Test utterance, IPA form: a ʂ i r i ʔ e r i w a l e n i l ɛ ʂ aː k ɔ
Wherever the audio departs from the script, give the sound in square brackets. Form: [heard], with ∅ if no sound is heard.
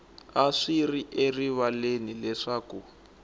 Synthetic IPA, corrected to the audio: a ʂ i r i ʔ e r i [β] a l e n i l ɛ ʂ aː k [u]